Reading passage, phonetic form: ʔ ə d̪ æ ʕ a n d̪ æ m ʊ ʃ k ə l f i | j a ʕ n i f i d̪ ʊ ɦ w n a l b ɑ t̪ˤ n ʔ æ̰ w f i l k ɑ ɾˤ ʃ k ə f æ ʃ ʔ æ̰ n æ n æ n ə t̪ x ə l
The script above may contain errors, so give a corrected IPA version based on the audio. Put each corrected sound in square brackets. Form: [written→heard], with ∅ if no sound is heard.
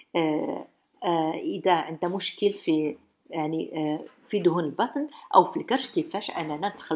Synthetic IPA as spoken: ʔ ə d̪ æ ʕ [a→ə] n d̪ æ m ʊ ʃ k ə l f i | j a ʕ n i f i d̪ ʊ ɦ [w→u] n [a→ə] l b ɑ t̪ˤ n ʔ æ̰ w f i l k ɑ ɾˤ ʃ k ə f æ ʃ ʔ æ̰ n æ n æ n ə t̪ x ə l